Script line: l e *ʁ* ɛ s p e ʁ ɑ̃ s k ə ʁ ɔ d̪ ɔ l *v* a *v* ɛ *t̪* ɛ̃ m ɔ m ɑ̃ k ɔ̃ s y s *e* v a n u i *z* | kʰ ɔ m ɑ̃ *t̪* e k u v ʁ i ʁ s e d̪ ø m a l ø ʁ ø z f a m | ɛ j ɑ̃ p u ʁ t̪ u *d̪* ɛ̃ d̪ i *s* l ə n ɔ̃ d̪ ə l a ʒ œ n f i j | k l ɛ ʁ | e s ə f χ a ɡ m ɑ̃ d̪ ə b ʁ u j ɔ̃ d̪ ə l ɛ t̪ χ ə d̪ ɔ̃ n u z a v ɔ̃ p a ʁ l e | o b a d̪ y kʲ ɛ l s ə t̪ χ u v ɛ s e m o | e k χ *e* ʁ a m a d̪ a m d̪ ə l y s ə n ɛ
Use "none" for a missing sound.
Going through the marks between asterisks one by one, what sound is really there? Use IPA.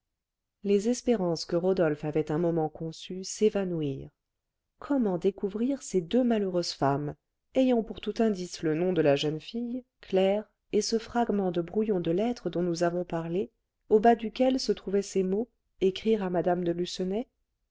z, f, v, t̪, e, ʁ, d̪, t̪, s, i

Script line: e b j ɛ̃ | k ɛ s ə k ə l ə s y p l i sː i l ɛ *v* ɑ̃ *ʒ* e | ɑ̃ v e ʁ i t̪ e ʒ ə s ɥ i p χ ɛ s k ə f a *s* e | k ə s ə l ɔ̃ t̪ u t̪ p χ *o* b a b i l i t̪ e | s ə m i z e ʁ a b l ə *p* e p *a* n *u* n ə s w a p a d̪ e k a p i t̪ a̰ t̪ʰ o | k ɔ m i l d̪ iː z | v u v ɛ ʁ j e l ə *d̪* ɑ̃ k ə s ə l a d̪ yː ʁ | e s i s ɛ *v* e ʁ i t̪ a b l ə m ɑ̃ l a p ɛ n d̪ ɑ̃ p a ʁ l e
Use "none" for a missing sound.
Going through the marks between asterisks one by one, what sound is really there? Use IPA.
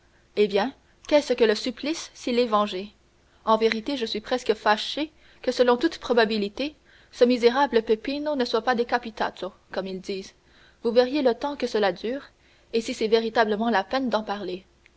v, ʒ, ʃ, ɔ, p, i, o, t̪, v

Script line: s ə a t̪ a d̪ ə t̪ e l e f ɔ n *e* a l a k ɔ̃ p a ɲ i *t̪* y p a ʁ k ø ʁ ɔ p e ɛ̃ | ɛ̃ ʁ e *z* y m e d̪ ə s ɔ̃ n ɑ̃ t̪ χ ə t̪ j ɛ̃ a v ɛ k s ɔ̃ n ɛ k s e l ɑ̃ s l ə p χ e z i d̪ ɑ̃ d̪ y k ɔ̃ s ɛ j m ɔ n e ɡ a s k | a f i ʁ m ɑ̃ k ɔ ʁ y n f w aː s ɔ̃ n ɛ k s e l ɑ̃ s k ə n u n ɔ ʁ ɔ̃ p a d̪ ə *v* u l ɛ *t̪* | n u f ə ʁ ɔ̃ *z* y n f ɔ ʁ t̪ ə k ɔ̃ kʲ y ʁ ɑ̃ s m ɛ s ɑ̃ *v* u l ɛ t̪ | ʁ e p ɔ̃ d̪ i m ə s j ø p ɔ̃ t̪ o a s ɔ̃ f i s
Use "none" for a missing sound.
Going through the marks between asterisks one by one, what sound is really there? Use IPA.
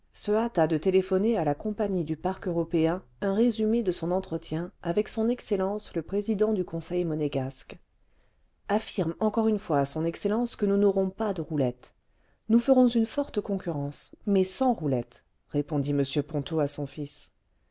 e, d̪, z, ʁ, t̪, z, ʁ

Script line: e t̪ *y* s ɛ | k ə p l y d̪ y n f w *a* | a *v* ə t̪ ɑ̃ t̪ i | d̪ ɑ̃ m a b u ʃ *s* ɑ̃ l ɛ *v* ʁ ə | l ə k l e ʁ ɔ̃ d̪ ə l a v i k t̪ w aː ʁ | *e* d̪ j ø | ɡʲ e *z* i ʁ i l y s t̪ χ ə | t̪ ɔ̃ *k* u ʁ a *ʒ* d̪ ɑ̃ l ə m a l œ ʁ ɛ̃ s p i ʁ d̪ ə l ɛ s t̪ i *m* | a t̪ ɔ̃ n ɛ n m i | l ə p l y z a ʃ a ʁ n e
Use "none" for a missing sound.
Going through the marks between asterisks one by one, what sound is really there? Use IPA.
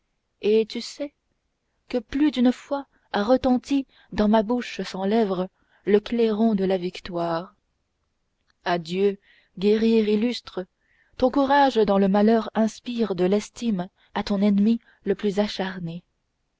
y, a, ʁ, s, v, a, ʁ, k, ʒ, m

